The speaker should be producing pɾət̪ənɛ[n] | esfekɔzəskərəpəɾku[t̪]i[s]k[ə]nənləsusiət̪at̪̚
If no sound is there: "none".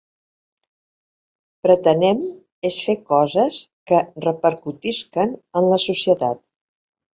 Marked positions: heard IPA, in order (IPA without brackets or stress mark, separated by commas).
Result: m, t̪, s, ə